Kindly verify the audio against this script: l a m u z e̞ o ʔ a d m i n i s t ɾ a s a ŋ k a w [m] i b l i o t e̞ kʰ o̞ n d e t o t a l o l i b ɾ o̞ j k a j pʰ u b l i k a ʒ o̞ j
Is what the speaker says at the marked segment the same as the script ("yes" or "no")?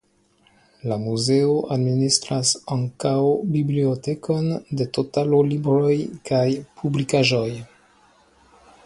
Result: no